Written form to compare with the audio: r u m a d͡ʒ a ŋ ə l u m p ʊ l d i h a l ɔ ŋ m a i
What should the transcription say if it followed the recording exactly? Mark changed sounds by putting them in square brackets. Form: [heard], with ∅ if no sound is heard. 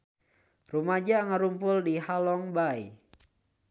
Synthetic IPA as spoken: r u m a d͡ʒ a ŋ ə [ɾ] u m p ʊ l d i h a l ɔ ŋ [b] a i